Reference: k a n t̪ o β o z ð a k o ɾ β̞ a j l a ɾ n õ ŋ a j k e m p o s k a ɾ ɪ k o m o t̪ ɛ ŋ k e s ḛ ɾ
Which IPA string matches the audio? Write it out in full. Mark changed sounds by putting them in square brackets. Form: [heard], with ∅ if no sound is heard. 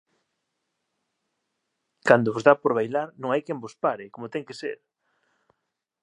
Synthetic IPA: k a n [d̪] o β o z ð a [p] o ɾ β̞ a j l a ɾ n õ ŋ a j k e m [b] o s [p] a ɾ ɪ k o m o t̪ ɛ ŋ k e s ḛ ɾ